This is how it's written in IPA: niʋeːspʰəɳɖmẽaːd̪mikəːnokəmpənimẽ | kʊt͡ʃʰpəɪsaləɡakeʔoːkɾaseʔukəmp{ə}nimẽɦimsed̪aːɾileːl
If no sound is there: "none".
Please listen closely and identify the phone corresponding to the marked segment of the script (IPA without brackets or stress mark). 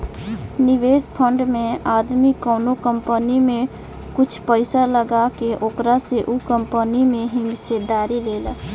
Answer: ə